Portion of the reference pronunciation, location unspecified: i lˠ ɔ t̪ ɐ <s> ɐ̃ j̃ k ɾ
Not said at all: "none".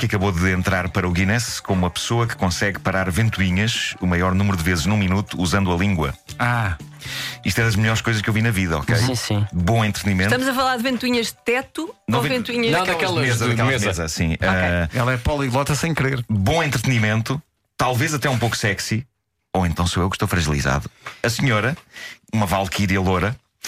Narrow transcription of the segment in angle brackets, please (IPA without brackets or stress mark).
s